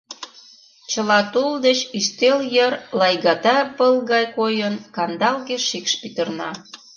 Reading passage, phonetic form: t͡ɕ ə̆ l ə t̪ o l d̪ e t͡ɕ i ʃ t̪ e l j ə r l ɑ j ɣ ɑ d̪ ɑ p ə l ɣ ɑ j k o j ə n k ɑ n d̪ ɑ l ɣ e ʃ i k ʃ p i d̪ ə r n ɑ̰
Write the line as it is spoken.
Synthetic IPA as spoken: t͡ɕ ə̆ l ɑ t̪ u l d̪ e t͡ɕ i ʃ t̪ e l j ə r l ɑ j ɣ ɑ t̪ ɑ p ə l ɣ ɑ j k o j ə n k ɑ n d̪ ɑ l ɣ e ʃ i k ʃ p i t̪ ə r n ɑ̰